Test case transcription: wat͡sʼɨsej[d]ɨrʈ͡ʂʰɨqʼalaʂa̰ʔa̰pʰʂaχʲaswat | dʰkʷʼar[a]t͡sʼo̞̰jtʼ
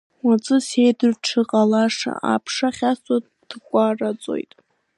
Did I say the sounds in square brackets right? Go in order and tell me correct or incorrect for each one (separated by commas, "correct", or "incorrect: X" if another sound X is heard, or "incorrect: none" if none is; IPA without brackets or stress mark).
correct, correct